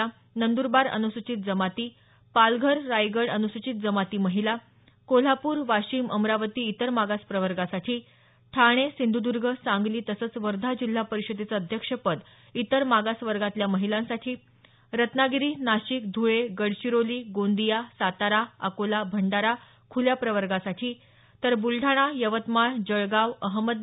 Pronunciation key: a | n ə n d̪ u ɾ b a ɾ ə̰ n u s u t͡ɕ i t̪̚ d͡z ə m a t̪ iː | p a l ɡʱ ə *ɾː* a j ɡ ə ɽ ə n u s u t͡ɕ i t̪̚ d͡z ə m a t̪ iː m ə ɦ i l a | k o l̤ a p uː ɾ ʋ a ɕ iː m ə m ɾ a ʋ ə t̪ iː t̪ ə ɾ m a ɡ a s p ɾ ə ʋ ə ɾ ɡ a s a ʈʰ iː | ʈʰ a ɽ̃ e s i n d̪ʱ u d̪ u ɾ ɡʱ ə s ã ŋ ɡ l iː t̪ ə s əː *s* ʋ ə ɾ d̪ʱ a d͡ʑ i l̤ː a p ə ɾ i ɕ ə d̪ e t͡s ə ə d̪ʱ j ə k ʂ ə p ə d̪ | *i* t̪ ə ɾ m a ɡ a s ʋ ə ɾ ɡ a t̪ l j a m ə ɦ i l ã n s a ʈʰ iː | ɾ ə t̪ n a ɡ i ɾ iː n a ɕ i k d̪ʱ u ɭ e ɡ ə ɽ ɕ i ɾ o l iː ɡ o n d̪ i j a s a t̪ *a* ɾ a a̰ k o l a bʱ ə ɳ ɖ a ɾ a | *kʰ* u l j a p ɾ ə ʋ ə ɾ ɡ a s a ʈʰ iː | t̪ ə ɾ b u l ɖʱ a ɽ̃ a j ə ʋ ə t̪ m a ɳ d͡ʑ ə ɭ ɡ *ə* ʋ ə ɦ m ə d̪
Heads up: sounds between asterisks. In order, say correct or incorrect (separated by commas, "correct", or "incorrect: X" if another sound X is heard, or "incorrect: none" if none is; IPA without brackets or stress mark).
correct, incorrect: t͡s, correct, correct, correct, incorrect: a